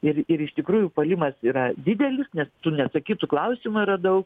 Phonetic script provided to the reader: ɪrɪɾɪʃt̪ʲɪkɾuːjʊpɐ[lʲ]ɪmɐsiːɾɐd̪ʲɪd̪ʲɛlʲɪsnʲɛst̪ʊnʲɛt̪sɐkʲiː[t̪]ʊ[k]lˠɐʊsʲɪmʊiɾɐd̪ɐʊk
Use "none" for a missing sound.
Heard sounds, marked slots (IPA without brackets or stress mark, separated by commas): lʲ, t̪, k